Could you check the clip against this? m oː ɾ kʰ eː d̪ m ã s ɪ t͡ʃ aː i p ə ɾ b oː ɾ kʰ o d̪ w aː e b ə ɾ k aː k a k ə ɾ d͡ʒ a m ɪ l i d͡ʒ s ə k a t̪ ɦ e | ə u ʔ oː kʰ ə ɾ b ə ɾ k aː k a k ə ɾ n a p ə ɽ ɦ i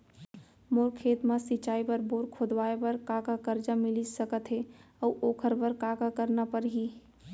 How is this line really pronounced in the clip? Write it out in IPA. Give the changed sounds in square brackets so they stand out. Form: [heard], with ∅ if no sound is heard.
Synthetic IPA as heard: m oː ɾ kʰ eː [t̪] m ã s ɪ t͡ʃ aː i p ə ɾ b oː ɾ kʰ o d̪ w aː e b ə ɾ k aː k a k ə ɾ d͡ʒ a m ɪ l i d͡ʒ s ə k [ə] t̪ ɦ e | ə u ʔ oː kʰ ə ɾ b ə ɾ k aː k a k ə ɾ n a p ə [ɾ] ɦ i